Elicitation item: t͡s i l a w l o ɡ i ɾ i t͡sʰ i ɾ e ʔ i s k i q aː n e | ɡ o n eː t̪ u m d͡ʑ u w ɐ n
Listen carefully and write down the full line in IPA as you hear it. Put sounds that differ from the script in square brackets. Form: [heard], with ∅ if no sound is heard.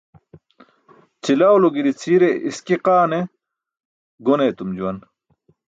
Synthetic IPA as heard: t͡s i l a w l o ɡ i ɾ i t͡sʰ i ɾ e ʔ i s k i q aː n e | ɡ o n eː t̪ u m d͡ʑ u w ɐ n